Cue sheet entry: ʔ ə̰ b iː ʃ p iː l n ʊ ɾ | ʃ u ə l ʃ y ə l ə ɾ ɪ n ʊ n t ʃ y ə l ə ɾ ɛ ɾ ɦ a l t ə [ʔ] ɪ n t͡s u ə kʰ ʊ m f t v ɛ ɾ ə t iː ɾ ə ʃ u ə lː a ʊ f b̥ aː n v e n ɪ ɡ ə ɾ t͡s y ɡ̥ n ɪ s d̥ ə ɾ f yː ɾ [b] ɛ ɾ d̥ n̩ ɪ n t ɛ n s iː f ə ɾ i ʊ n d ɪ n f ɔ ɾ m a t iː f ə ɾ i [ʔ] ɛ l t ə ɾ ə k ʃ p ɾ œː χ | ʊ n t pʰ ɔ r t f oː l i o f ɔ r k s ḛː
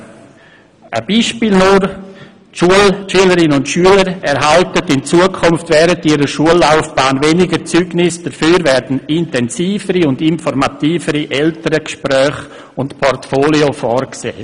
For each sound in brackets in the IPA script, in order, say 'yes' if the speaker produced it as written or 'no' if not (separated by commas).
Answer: no, no, yes